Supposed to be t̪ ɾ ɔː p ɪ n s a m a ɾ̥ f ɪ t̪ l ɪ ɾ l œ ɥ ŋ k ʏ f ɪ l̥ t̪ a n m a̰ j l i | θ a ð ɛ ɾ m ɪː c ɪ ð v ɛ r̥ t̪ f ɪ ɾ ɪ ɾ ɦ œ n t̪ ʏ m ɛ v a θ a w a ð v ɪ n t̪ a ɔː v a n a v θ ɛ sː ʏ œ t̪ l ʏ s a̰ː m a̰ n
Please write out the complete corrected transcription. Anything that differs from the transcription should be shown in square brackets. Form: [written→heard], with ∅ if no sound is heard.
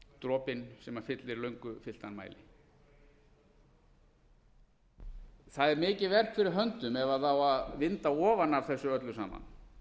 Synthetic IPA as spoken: t̪ ɾ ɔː p ɪ n s [a→ɛ] m a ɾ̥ f ɪ t̪ l ɪ ɾ l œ ɥ ŋ k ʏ f ɪ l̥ t̪ a n m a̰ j l [i→ɪ] | θ a ð ɛ ɾ m ɪː c ɪ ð v ɛ r̥ t̪ f ɪ ɾ ɪ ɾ ɦ œ n t̪ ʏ m ɛ v a θ a w a ð v ɪ n t̪ a ɔː v a n a v θ ɛ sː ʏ œ t̪ l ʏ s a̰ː m a̰ n

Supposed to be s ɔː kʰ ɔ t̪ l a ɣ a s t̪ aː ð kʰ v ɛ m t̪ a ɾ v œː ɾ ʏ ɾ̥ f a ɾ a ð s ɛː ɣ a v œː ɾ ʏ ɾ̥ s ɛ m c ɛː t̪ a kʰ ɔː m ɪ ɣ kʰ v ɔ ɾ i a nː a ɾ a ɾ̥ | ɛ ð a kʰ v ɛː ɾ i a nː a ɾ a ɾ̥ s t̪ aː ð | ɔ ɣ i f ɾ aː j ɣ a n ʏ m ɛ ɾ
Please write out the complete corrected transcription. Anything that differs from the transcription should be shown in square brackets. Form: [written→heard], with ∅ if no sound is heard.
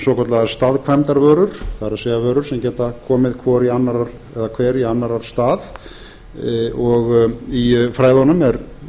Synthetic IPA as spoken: s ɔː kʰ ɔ t̪ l a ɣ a s t̪ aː ð kʰ v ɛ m t̪ a ɾ v œː ɾ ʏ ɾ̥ [f→θ] a ɾ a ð s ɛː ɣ a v œː ɾ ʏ ɾ̥ s ɛ m c ɛː t̪ a kʰ ɔː m ɪ [ɣ→ð] kʰ v ɔ ɾ i a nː a ɾ a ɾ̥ | ɛ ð a kʰ v ɛː ɾ i a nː a ɾ a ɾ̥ s t̪ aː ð | ɔ ɣ i f ɾ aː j [ɣ→ð] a n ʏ m ɛ ɾ

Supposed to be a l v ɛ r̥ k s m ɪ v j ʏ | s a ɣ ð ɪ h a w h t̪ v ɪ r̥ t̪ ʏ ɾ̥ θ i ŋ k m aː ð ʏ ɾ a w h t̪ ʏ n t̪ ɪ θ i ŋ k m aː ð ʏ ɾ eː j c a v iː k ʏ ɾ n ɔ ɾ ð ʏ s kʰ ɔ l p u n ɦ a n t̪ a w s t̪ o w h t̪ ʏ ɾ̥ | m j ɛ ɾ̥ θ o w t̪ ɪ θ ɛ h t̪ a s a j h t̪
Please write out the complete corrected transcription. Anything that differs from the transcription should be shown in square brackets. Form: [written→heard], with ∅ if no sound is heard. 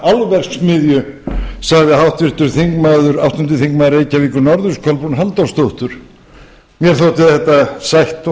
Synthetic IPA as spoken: a l v ɛ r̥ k s m ɪ [v→ð] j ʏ | s a ɣ ð ɪ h a w h t̪ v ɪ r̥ t̪ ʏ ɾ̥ θ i ŋ k m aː ð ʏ ɾ a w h t̪ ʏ n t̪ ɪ θ i ŋ k m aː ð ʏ ɾ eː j c a v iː k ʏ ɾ n ɔ ɾ ð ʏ s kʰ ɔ l p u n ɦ a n t̪ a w s t̪ o w h t̪ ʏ ɾ̥ | m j ɛ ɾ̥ θ o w t̪ ɪ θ ɛ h t̪ a s a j h t̪

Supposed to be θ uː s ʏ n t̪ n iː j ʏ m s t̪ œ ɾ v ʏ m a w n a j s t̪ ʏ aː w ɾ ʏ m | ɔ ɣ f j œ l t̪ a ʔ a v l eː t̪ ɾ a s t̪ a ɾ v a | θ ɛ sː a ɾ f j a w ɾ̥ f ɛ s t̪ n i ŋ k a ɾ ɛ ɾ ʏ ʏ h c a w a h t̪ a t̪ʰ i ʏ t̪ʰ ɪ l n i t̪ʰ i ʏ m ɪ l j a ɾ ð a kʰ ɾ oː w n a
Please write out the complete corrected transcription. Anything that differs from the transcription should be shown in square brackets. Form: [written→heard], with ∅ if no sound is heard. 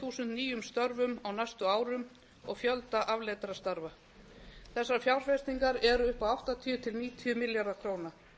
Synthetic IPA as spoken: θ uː s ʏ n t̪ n iː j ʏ m s t̪ œ ɾ v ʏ m a w n a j s t̪ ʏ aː w ɾ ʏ m | ɔ ɣ f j œ l t̪ a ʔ a v l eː t̪ ɾ a s t̪ a ɾ v a | θ ɛ sː a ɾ f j a w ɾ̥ f ɛ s t̪ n i ŋ k a ɾ ɛ ɾ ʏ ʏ h [c→p] a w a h t̪ a t̪ʰ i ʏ t̪ʰ ɪ l n [i→iː] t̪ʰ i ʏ m ɪ l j a ɾ ð a kʰ ɾ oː w n a

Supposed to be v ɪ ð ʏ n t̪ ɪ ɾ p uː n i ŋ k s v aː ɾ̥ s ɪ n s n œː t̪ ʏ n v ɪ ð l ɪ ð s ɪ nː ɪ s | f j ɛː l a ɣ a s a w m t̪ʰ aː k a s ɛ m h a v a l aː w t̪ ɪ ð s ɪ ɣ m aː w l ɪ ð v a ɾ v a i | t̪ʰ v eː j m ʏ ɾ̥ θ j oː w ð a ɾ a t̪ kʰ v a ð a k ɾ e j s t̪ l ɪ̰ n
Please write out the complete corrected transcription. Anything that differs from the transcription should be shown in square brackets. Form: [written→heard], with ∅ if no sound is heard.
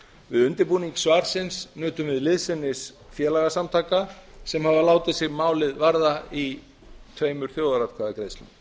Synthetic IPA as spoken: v ɪ ð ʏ n t̪ ɪ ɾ p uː n i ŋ k s v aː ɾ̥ s ɪ n s n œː t̪ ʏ [n→m] v ɪ ð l ɪ ð s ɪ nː ɪ s | f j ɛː l a ɣ a s a [w→∅] m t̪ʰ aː k a s ɛ m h a v a l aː w t̪ ɪ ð s ɪ ɣ m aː w l ɪ ð v a ɾ [v→ð] a i | t̪ʰ v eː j m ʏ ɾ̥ θ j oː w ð a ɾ a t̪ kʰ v a ð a k ɾ e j s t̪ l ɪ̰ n

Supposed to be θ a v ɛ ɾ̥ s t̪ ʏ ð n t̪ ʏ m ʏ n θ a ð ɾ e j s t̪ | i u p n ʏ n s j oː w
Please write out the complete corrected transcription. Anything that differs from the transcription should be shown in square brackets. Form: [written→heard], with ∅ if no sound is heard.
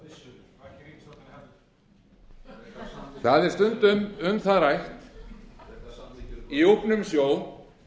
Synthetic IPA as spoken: θ a [v→ð] ɛ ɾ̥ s t̪ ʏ [ð→∅] n t̪ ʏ m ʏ [n→m] θ a ð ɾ [e→a] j [s→h] t̪ | i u p n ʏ [n→m] s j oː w

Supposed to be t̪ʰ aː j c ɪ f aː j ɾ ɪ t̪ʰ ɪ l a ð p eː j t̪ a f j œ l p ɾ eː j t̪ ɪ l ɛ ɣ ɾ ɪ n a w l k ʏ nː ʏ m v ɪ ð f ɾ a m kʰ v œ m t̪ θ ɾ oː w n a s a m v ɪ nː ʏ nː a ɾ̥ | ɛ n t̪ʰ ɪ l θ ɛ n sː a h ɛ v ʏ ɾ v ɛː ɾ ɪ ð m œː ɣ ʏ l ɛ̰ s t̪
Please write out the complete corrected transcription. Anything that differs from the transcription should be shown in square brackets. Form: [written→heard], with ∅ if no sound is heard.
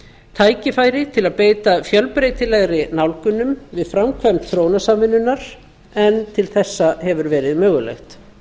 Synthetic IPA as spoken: t̪ʰ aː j c ɪ f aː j ɾ ɪ t̪ʰ ɪ l a ð p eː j t̪ a f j œ l p ɾ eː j t̪ ɪ l ɛ ɣ ɾ ɪ n a w l k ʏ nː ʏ m v ɪ ð f ɾ a m kʰ v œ m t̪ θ ɾ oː w n a s a m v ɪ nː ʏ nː a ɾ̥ | ɛ n t̪ʰ ɪ l θ ɛ [n→∅] sː a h ɛ v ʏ ɾ v ɛː ɾ ɪ ð m œː ɣ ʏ l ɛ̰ [s→x] t̪

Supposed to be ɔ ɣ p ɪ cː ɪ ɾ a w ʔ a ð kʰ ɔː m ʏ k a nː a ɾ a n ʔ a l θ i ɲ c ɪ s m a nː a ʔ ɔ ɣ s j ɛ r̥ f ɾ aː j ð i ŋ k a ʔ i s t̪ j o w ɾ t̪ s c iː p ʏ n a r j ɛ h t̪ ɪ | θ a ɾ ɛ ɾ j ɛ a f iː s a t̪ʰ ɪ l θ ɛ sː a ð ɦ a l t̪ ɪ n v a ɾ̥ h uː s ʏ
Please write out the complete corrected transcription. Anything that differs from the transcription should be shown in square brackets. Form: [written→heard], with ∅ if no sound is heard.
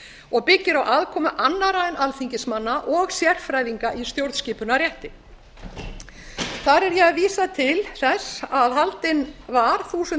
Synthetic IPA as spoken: ɔ ɣ p ɪ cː ɪ ɾ a w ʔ a ð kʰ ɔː m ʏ [k→ʔ] a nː a ɾ a n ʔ a l θ i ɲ c ɪ s m a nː a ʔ ɔ ɣ s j ɛ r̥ f ɾ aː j ð i ŋ k a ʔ i s t̪ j o w ɾ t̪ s c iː p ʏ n a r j ɛ h t̪ ɪ | θ a ɾ ɛ ɾ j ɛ a [f→v] iː s a t̪ʰ ɪ l θ ɛ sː a ð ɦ a l t̪ ɪ n v a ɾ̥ [h→θ] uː s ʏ

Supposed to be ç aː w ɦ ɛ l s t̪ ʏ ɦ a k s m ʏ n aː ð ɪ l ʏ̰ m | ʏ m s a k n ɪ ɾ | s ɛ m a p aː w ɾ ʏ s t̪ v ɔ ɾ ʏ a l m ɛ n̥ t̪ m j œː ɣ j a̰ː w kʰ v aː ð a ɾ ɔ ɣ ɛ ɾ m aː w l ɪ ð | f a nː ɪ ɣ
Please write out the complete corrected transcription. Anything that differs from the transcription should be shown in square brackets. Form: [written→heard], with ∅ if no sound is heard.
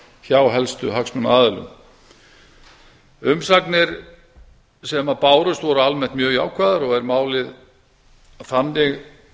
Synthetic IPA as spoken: ç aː w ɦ ɛ l s t̪ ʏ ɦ a k s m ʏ n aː ð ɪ l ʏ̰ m | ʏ m s a k n ɪ ɾ | s ɛ m a p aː w ɾ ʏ s t̪ v ɔ ɾ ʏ a l m ɛ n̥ t̪ m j œː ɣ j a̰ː w kʰ v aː ð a ɾ ɔ ɣ ɛ ɾ m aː w l ɪ ð | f a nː ɪ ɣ

